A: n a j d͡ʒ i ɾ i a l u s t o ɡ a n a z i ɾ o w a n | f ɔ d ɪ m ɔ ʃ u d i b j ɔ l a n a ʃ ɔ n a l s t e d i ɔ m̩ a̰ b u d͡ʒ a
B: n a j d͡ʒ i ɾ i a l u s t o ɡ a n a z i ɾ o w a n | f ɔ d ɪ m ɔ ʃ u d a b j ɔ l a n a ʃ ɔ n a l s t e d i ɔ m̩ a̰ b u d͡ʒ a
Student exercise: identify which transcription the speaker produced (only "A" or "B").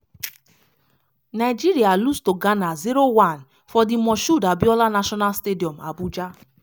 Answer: B